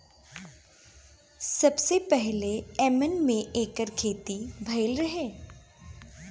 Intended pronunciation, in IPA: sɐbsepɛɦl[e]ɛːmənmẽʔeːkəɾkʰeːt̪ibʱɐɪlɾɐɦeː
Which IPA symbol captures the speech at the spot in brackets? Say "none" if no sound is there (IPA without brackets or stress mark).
e